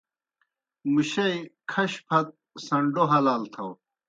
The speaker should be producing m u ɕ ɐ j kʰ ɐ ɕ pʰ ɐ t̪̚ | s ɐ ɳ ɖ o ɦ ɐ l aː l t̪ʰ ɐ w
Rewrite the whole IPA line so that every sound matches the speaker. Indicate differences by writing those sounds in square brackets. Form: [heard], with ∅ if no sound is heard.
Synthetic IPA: m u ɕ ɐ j kʰ ɐ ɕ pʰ ɐ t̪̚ | s ɐ ɳ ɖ o ɦ ɐ l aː l t̪ʰ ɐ w